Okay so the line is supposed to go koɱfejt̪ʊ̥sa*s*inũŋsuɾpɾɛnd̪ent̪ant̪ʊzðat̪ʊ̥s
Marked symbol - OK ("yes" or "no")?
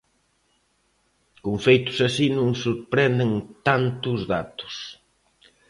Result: yes